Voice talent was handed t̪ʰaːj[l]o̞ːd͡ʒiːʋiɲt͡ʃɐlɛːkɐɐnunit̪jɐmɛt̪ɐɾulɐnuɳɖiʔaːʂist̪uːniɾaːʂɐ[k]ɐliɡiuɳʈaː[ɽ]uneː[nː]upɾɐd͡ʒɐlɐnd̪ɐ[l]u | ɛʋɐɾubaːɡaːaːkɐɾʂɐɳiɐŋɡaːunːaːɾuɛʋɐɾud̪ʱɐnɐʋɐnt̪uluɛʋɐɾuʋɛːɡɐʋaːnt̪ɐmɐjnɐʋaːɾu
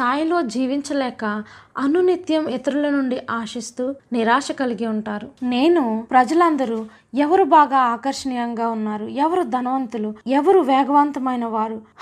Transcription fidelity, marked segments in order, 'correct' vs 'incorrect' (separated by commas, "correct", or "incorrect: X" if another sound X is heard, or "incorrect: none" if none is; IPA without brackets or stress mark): correct, correct, incorrect: ɾ, incorrect: n, incorrect: ɾ